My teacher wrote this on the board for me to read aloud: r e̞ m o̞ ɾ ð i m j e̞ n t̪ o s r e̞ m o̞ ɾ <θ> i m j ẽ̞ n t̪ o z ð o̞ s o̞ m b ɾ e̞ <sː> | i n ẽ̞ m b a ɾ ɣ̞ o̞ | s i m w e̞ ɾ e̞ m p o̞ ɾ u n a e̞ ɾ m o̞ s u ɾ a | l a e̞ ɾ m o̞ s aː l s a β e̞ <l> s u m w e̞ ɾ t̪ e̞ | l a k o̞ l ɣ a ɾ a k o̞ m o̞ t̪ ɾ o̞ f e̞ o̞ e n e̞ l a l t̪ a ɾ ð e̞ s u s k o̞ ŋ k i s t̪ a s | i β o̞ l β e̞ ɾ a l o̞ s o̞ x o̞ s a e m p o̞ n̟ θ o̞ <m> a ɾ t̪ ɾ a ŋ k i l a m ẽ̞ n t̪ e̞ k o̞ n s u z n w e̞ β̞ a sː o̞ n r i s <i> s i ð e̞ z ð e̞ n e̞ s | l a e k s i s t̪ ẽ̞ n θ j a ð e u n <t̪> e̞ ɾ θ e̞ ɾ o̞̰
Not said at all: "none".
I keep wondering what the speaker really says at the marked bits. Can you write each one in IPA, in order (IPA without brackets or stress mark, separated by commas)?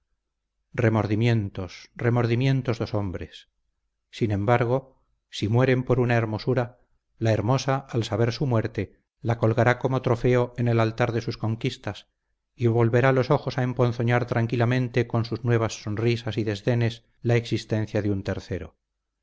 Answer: ð, sː, ɾ, ɲ, a, t̪